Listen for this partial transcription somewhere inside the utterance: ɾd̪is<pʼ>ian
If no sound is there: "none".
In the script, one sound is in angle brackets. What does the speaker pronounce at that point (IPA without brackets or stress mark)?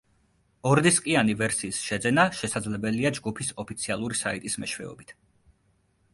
kʼ